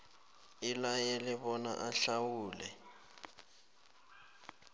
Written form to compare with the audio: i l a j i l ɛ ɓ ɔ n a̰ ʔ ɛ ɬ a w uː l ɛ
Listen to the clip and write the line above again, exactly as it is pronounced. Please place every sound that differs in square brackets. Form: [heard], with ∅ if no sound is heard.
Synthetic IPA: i l a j [ɛ] l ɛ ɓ ɔ n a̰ ʔ [a] ɬ a w uː l ɛ